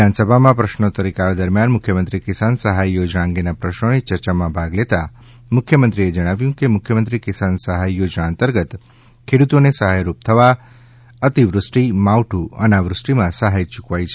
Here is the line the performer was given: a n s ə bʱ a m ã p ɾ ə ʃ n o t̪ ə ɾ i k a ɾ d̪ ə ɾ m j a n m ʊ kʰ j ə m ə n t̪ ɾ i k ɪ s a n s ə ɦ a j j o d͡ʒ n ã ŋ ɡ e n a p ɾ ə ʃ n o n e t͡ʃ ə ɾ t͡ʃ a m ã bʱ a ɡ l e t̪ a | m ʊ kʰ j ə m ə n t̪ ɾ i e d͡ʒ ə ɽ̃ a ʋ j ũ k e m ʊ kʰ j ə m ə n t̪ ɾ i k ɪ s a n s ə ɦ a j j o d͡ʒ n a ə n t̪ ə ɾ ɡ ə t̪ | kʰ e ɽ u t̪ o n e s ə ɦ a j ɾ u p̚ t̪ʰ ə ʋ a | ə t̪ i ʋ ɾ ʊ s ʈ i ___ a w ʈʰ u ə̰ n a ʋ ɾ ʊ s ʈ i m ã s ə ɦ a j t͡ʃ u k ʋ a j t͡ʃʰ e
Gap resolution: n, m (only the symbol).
m